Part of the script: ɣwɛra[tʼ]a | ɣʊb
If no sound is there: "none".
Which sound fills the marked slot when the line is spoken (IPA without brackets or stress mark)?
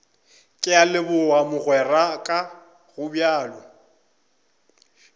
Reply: kʼ